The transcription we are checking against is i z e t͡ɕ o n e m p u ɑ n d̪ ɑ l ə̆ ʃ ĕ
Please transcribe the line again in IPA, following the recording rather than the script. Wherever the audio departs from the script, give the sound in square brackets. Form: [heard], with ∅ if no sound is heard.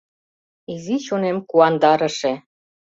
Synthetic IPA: i z [i] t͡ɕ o n e m [k] u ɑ n d̪ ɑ [ɾ] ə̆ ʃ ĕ